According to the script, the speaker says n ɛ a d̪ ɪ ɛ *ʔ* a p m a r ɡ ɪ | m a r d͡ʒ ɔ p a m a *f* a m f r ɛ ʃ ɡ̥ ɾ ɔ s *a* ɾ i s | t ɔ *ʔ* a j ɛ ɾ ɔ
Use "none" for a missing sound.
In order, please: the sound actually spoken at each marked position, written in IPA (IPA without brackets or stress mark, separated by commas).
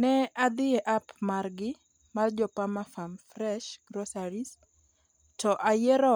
ʔ, f, a, ʔ